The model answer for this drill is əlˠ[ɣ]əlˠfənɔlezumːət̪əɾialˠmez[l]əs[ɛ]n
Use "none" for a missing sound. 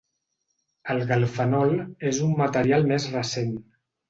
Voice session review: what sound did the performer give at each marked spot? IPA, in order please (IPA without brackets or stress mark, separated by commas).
ɣ, r, e